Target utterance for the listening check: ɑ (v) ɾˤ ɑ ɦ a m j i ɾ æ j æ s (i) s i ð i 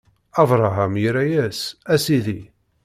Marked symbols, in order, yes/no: yes, no

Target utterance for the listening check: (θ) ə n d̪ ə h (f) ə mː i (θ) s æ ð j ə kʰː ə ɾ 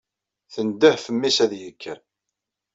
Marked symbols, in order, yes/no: yes, yes, no

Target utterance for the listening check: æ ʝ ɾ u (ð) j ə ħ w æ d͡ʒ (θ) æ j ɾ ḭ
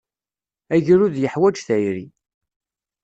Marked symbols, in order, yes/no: yes, yes

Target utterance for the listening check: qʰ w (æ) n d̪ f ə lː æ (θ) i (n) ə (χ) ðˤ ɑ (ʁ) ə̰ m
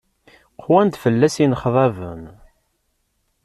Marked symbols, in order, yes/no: yes, no, yes, yes, no

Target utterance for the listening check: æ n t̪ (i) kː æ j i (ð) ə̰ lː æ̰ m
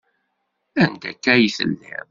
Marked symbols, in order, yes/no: no, no

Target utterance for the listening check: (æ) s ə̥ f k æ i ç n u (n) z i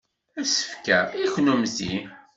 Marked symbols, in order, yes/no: yes, no

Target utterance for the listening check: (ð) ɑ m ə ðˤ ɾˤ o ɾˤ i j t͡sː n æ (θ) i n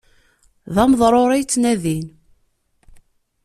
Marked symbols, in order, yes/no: yes, no

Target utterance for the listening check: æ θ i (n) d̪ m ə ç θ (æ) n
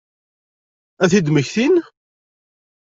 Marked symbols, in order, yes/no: no, no

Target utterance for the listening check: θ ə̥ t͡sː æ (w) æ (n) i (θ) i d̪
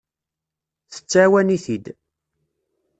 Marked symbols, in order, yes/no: yes, yes, yes

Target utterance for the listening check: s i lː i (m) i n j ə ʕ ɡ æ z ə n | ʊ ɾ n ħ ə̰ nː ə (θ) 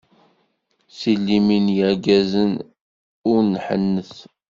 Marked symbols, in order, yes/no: yes, yes

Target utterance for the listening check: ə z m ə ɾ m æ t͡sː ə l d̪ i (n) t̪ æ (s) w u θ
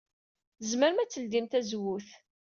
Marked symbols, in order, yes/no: no, no

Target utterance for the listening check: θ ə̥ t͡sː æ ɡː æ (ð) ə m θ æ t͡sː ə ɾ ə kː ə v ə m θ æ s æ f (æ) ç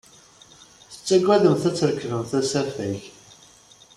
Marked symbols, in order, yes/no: yes, yes

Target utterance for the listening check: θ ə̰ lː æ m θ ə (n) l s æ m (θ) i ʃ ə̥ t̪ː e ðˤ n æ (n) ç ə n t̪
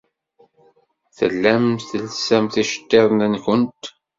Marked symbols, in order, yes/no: no, yes, yes

